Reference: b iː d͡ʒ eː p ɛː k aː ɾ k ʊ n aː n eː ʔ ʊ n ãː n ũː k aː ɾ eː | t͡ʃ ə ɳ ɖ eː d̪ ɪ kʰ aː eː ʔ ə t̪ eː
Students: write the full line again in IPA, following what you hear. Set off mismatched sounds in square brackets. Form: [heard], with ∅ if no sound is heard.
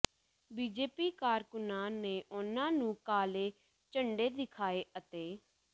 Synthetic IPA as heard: b iː d͡ʒ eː p [iː] k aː ɾ k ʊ n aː n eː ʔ ʊ n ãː n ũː k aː [l] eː | t͡ʃ ə ɳ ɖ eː d̪ ɪ kʰ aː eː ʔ ə t̪ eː